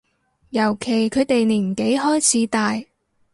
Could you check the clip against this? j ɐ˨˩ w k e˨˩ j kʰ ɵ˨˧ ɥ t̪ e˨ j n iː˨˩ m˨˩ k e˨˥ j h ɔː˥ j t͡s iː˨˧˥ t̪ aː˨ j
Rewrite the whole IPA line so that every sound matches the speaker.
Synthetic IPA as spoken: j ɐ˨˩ w kʰ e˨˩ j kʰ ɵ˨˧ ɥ t̪ e˨ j n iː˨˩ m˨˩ k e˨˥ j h ɔː˥ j t͡sʰ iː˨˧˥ t̪ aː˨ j